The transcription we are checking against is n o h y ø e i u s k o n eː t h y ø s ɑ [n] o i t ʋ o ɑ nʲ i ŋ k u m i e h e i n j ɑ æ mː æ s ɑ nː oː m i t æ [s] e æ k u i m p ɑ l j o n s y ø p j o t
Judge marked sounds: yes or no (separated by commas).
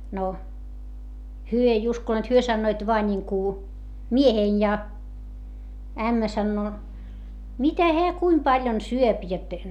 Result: no, no